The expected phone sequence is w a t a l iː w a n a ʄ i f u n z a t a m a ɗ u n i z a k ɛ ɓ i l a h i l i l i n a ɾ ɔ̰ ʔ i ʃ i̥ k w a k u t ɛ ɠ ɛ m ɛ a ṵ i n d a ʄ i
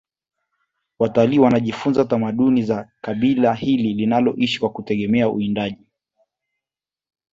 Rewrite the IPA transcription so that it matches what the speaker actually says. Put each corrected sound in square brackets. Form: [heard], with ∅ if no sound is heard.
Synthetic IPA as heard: w a t a l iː w a n a ʄ i f u n z a t a m a ɗ u n i z a k [a] ɓ i l a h i l i l i n a [l] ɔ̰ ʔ i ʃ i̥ k w a k u t ɛ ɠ ɛ m ɛ a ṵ i n d a ʄ i